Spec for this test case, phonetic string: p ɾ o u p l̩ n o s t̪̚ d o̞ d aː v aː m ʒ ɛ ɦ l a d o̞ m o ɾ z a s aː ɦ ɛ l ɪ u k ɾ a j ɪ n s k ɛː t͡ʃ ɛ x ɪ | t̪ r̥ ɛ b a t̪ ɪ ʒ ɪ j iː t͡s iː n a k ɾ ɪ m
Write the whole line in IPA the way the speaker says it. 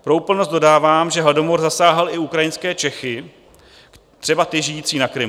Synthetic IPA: p ɾ o u p l̩ n o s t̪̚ d o̞ d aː v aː m ʒ ɛ ɦ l a d o̞ m o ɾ z a s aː ɦ ɛ l ɪ u k ɾ a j ɪ n s k ɛː t͡ʃ ɛ x ɪ | t̪ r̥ ɛ b a t̪ ɪ ʒ ɪ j iː t͡s iː n a k ɾ ɪ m